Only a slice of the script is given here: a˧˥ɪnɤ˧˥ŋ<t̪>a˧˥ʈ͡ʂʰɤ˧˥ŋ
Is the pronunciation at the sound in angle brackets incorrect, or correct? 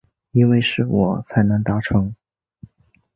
correct